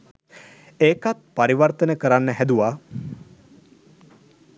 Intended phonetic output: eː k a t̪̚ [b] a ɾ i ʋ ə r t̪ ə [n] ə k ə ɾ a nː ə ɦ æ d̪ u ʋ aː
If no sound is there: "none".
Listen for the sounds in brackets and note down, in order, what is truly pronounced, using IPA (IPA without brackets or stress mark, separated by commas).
p, n